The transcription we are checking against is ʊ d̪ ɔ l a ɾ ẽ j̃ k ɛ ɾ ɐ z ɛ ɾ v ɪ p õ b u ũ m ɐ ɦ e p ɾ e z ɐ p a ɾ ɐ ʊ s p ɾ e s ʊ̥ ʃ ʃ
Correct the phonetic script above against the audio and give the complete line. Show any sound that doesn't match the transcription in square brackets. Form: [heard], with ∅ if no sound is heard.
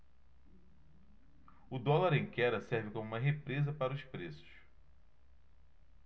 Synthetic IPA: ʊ d̪ ɔ l a ɾ ẽ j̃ k ɛ ɾ ɐ [s] ɛ ɾ v ɪ [k] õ [m] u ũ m ɐ ɦ e p ɾ e z ɐ p a ɾ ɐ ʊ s p ɾ e s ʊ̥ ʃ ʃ